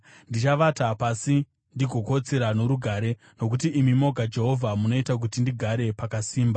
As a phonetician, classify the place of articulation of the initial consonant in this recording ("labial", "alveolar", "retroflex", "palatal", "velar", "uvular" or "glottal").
alveolar